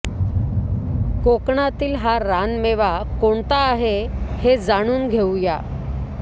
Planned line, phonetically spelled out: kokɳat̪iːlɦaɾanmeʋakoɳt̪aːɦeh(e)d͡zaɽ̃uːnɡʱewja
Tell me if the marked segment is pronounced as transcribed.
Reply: yes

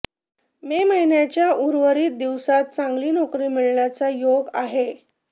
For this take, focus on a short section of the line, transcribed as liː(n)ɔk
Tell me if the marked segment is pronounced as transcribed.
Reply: yes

